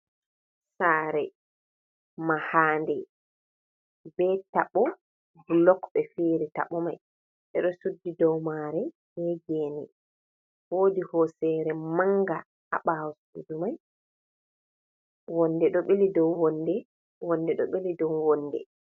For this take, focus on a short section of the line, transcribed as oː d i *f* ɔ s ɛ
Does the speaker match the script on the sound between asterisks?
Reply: no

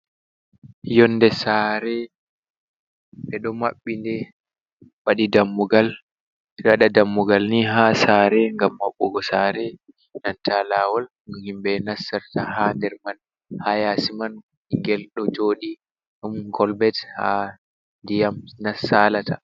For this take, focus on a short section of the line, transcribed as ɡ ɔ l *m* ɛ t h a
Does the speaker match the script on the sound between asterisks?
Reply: no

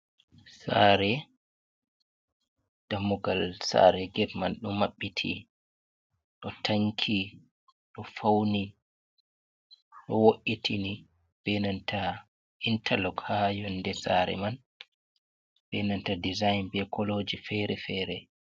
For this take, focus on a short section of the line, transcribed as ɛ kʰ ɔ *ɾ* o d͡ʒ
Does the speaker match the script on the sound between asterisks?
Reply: no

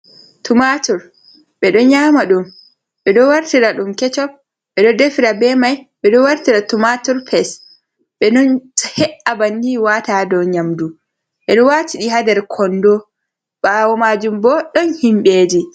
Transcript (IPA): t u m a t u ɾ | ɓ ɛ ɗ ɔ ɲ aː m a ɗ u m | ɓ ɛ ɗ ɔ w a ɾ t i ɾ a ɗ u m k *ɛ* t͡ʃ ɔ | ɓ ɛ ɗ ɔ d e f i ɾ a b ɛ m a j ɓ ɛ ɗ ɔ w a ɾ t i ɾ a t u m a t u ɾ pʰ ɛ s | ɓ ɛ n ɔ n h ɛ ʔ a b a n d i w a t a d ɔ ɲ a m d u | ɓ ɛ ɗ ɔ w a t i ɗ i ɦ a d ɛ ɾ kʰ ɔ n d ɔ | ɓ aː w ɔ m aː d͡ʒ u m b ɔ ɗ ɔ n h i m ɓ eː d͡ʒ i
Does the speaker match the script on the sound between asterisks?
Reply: yes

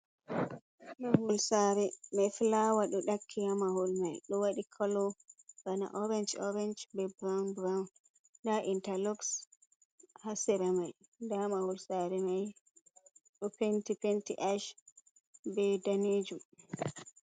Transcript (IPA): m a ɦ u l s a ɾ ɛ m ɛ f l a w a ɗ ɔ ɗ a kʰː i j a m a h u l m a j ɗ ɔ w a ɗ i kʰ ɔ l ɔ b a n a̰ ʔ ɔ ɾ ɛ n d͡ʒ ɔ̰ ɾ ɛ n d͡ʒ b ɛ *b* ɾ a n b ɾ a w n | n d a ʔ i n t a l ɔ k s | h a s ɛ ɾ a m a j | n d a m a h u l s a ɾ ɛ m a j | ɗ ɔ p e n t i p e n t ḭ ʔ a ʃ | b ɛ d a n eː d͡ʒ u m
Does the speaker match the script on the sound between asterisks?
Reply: yes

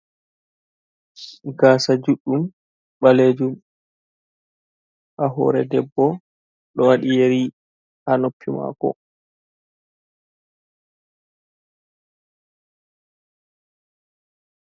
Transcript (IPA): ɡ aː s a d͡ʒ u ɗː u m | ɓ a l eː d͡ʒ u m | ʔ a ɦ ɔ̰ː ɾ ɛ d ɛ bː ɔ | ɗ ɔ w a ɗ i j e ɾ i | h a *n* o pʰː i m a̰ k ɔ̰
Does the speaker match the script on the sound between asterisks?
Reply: yes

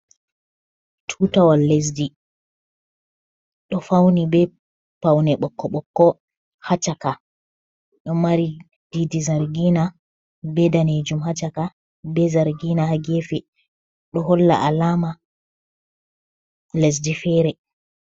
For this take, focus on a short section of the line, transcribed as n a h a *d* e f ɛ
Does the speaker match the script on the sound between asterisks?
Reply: no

